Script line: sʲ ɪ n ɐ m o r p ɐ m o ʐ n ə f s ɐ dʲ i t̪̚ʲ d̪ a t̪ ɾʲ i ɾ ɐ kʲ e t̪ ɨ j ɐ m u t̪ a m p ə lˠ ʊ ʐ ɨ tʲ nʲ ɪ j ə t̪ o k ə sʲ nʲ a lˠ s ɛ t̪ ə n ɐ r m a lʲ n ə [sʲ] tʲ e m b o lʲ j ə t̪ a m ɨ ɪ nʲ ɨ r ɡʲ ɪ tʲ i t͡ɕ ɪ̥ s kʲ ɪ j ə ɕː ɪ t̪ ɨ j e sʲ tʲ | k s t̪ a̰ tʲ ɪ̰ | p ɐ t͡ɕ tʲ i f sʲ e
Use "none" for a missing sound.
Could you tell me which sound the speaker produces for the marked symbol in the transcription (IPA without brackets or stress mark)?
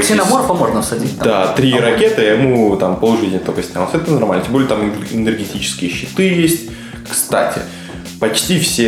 none